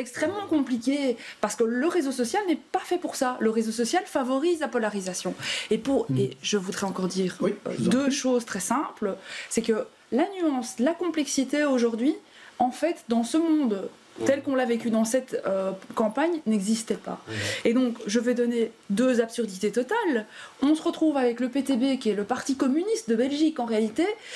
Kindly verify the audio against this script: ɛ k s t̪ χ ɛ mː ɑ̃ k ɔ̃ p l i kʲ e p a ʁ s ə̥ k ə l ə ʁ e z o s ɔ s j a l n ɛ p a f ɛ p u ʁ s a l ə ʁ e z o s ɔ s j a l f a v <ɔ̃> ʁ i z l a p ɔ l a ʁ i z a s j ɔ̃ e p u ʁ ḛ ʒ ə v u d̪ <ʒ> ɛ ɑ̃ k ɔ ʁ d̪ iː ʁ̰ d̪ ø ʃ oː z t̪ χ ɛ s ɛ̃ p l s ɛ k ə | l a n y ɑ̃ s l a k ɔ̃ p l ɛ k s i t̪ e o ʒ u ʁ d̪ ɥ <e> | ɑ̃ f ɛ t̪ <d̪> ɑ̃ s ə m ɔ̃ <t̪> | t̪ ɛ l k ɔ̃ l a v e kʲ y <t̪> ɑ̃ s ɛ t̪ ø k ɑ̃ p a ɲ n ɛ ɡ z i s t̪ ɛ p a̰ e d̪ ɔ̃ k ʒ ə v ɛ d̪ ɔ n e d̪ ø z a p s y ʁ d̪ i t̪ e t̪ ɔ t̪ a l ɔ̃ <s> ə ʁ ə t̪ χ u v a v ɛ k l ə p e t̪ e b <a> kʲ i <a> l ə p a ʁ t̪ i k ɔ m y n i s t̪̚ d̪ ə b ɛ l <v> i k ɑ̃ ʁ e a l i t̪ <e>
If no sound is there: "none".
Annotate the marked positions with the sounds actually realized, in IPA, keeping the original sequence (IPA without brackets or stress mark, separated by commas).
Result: ɔ, ʁ, i, d̪, d̪, d̪, s, e, ɛ, ʒ, e